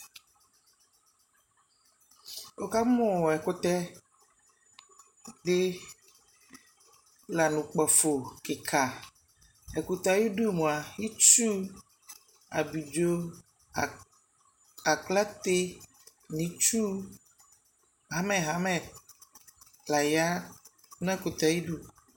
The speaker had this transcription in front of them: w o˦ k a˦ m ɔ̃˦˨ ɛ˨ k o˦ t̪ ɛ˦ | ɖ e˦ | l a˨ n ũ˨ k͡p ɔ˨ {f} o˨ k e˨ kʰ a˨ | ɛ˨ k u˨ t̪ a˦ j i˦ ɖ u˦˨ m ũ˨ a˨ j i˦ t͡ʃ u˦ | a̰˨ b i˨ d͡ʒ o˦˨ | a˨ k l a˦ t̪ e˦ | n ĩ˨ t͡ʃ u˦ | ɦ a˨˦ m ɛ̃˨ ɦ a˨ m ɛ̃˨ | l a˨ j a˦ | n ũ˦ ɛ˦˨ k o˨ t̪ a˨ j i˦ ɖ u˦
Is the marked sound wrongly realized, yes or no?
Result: no